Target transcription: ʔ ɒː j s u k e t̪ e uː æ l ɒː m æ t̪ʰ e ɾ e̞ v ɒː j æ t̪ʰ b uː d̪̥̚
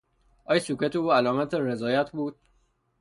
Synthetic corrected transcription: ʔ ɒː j s u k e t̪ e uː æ l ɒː m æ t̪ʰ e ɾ e̞ z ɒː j æ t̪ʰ b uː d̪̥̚

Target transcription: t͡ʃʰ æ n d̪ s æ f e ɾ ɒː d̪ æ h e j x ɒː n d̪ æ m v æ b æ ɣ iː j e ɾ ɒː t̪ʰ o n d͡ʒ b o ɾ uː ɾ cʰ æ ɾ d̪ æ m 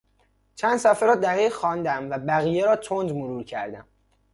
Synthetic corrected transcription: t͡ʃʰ æ n d̪ s æ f e ɾ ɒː d̪ æ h e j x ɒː n d̪ æ m v æ b æ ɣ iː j e ɾ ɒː t̪ʰ o n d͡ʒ m o ɾ uː ɾ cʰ æ ɾ d̪ æ m

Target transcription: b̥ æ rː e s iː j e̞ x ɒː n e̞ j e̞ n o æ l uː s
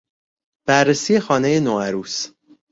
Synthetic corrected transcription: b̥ æ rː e s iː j e̞ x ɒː n e̞ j e̞ n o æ ɾ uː s

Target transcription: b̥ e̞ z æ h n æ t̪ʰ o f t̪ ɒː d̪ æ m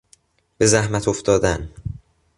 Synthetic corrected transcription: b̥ e̞ z æ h m æ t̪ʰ o f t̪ ɒː d̪ æ n

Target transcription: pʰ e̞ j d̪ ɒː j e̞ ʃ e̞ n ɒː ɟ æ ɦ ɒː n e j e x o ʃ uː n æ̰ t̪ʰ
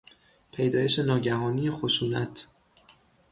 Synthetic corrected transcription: pʰ e̞ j d̪ ɒː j e̞ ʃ e̞ n ɒː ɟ æ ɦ ɒː n i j e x o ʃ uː n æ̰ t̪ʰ

